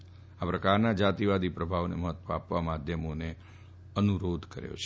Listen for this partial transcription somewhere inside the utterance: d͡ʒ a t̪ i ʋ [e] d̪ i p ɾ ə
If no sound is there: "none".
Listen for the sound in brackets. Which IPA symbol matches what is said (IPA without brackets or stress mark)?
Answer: a